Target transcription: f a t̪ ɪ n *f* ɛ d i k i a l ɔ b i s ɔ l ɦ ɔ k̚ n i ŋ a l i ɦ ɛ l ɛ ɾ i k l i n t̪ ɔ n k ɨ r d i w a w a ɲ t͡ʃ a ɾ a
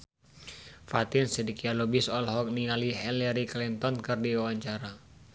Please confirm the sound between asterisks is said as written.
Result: no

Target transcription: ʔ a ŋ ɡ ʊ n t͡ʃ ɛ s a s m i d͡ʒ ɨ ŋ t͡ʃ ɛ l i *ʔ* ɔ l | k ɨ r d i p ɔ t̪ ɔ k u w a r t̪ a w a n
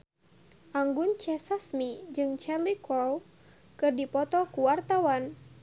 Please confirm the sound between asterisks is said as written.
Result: no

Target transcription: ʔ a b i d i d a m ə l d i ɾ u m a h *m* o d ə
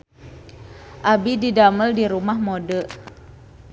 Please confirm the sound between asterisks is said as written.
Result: yes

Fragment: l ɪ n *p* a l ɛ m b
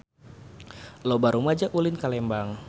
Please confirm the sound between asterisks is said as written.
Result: no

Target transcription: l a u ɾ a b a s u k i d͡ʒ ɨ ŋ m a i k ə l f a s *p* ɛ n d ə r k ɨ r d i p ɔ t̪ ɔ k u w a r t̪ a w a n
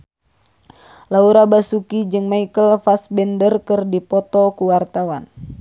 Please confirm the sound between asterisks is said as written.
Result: no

